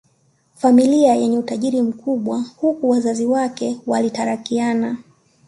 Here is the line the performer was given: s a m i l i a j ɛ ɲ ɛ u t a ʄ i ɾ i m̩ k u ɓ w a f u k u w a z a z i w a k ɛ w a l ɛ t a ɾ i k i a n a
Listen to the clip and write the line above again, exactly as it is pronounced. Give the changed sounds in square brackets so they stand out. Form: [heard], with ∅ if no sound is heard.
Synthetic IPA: [f] a m i l i a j ɛ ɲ ɛ u t a ʄ i ɾ i m̩ k u ɓ w a [h] u k u w a z a z i w a k ɛ w a l [i] t a ɾ [a] k i a n a